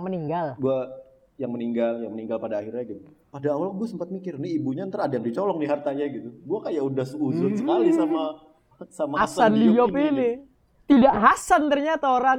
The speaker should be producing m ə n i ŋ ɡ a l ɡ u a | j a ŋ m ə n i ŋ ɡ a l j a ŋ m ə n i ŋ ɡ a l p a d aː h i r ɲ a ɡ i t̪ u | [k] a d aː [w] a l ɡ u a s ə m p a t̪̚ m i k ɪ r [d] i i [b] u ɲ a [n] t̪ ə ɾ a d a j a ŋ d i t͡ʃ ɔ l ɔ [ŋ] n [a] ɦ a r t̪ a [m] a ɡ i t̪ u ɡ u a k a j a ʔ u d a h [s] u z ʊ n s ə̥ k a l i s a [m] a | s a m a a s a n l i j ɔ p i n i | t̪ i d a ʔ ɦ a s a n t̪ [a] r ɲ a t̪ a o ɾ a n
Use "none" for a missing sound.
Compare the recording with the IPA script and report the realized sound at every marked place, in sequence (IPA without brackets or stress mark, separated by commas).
p, w, n, b, n, ŋ, i, ɲ, s, m, ə